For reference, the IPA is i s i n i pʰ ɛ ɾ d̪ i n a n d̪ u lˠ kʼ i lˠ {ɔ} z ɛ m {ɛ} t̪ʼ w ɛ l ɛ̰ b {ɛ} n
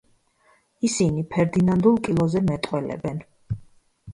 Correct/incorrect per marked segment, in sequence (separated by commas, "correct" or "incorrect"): correct, correct, correct